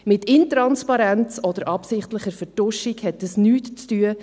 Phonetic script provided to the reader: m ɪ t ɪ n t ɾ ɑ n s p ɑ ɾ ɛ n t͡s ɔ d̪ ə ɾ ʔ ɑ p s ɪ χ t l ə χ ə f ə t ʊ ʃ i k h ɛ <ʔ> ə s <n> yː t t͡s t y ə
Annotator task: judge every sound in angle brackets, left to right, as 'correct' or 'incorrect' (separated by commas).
incorrect, correct